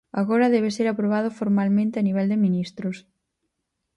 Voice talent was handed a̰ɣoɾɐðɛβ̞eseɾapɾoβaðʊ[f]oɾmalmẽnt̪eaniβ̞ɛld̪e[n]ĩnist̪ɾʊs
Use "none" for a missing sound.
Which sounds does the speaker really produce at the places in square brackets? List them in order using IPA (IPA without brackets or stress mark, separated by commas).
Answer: f, m